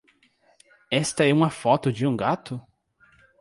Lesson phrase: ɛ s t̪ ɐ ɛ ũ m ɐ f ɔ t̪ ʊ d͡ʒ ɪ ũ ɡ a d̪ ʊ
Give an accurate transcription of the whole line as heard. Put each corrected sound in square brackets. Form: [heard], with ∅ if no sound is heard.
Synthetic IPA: ɛ s t̪ ɐ ɛ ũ m ɐ f ɔ t̪ ʊ d͡ʒ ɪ ũ ɡ a [t̪] ʊ